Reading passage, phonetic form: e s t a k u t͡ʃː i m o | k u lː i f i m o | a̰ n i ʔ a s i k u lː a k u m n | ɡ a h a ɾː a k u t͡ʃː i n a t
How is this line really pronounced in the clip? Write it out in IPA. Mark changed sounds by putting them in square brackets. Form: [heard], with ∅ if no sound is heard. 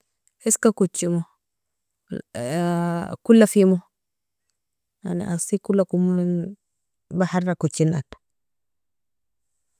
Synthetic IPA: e s [k] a k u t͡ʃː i m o | k u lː [a] f i m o | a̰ n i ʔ a s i k u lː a k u m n | [b] a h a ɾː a k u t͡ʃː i n a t